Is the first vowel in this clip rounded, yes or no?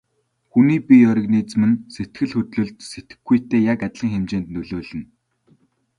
yes